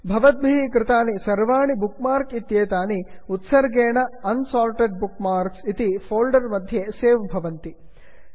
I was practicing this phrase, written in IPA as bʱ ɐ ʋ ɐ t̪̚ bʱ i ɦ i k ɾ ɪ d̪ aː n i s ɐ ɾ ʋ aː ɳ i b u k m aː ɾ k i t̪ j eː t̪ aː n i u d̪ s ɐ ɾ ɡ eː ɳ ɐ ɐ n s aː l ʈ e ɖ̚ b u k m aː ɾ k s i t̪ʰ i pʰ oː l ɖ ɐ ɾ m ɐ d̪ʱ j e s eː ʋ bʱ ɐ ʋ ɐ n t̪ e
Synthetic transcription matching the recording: bʱ ɐ ʋ ɐ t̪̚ bʱ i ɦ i k ɾ ɪ t̪ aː n i s ɐ ɾ ʋ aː ɳ i b u k m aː ɾ k i t̪ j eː t̪ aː n i u t̪ s ɐ ɾ ɡ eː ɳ ɐ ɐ n s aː l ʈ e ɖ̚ b u k m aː ɾ k s i t̪ i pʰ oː l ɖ ɐ ɾ m ɐ d̪ʱ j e s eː ʋ bʱ ɐ ʋ ɐ n t̪ i